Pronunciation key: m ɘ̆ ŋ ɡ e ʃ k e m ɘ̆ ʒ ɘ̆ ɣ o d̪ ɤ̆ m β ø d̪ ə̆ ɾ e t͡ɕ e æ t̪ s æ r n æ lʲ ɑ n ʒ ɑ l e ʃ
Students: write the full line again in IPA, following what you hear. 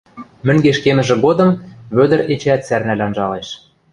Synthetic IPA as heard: m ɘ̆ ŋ ɡ e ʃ k e m ɘ̆ ʒ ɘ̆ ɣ o d̪ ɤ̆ m β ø d̪ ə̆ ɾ e t͡ɕ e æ t̪ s æ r n æ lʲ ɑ n ʒ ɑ l e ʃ